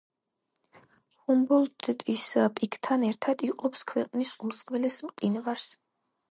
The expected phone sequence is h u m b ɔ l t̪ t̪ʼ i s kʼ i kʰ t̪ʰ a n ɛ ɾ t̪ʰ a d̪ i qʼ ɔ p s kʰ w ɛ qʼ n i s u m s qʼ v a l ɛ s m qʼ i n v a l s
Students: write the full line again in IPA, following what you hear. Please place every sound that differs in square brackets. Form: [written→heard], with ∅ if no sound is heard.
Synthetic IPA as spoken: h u m b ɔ l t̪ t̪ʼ i s [kʼ→pʼ] i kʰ t̪ʰ a n ɛ ɾ t̪ʰ a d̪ i qʼ ɔ p s kʰ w ɛ qʼ n i s u m s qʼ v [a→ɛ] l ɛ s m qʼ i n v a [l→ɾ] s